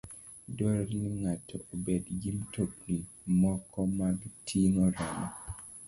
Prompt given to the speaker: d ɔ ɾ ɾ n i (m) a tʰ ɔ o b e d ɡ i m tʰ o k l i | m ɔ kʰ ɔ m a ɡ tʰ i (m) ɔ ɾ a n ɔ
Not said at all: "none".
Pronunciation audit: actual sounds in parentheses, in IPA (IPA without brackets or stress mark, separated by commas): ŋ, ŋ